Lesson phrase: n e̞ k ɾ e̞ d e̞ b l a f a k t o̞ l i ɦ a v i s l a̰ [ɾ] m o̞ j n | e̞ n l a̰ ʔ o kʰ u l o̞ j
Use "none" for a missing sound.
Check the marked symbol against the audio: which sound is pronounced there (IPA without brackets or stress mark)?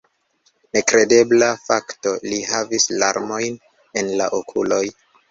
ɾ